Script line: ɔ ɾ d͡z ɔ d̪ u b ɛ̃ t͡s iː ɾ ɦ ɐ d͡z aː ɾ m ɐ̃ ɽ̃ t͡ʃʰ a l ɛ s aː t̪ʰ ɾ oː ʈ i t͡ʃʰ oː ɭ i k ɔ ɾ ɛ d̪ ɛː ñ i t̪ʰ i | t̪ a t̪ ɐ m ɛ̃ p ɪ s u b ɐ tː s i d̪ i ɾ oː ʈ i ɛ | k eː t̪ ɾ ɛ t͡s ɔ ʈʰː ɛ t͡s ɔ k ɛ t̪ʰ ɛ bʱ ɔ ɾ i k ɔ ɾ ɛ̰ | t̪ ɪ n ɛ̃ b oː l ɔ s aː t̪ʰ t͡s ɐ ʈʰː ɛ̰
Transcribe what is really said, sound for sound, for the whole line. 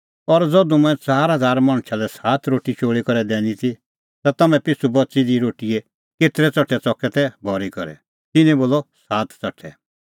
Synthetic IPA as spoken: ɔ ɾ d͡z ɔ d̪ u m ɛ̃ t͡s aː ɾ ɦ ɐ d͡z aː ɾ m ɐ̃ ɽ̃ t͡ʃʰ a l ɛ s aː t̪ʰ ɾ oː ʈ i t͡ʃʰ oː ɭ i k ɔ ɾ ɛ d̪ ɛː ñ i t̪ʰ i | t̪ a t̪ ɐ m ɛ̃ p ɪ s u b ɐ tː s i d̪ i ɾ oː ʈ i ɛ | k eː t̪ ɾ ɛ t͡s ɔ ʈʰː ɛ t͡s ɔ k ɛ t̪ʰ ɛ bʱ ɔ ɾ i k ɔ ɾ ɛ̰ | t̪ ɪ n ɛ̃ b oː l ɔ s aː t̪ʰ t͡s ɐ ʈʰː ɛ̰